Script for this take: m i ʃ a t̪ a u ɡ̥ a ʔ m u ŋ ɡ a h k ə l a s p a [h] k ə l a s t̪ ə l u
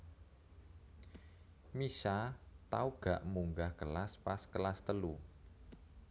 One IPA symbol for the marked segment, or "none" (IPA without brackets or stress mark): s